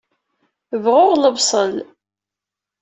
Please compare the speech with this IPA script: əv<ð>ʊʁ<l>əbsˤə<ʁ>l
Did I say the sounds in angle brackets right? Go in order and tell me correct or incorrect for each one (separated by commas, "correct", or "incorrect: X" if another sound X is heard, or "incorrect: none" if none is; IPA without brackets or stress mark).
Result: incorrect: ʁ, correct, incorrect: none